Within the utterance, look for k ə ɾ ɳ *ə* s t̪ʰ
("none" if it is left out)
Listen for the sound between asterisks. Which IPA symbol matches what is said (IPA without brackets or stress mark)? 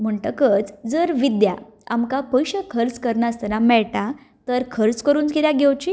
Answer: a